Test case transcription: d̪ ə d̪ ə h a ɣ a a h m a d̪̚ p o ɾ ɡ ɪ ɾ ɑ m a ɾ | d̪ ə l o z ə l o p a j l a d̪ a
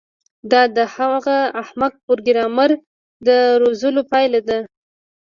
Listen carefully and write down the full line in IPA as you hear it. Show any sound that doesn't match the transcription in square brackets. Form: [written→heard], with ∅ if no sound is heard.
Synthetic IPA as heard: d̪ [ə→ɑ] d̪ ə h a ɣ a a h m a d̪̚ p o ɾ ɡ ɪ ɾ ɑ m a ɾ | d̪ ə [l→ɾ] o z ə l o p [a→ɑ] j l a d̪ a